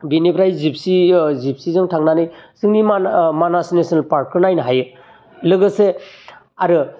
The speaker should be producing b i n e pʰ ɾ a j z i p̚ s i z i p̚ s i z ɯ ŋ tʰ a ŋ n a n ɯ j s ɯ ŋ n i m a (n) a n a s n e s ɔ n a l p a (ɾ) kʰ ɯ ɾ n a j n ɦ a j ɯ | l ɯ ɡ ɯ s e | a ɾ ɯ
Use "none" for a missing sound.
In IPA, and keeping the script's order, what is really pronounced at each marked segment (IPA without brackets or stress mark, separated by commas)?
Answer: m, ɾ